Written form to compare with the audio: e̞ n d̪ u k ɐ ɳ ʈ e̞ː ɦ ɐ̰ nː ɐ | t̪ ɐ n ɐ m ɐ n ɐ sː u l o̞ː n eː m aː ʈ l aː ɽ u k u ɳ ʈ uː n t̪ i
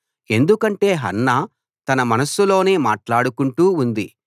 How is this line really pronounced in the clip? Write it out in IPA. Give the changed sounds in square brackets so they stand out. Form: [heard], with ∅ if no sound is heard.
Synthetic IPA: e̞ n d̪ u k ɐ ɳ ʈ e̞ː ɦ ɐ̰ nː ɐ | t̪ ɐ n ɐ m ɐ n ɐ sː u l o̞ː n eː m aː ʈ l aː ɽ u k u ɳ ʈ uː n [d̪] i